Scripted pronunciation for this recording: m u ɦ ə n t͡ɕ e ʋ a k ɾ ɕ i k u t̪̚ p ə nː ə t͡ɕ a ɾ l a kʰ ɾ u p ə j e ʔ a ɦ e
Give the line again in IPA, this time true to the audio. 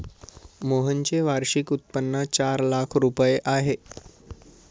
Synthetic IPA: m o ɦ ə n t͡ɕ e ʋ a ɾ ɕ i k u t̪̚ p ə nː ə t͡ɕ a ɾ l a kʰ ɾ u p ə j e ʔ a ɦ e